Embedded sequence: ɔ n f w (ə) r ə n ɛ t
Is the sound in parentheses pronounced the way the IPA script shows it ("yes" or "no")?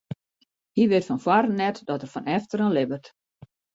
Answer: no